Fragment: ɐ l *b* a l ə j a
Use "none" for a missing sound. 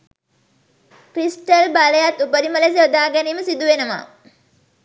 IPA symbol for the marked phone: b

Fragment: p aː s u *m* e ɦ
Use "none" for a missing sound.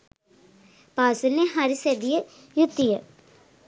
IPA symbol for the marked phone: n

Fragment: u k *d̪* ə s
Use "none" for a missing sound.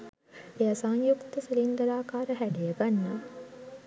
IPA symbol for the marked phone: t̪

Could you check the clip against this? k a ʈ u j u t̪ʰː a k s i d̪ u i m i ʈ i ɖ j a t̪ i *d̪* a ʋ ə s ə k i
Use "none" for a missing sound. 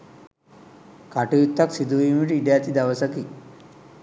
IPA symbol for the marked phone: d̪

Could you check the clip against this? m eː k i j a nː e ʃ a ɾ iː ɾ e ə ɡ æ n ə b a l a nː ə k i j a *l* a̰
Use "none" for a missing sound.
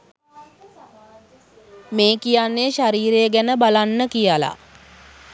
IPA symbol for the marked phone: l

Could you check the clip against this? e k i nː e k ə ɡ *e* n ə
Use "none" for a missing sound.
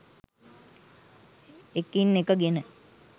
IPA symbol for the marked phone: e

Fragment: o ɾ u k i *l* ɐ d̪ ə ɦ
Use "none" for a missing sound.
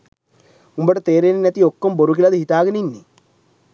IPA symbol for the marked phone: l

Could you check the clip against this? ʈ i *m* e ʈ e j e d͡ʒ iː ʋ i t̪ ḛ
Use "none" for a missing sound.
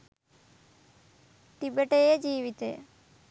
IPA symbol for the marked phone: b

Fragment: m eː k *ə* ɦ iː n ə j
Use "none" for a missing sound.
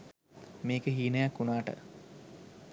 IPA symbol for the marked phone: ə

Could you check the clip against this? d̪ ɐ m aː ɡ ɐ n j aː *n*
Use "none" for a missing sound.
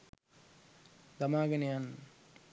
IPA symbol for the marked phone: n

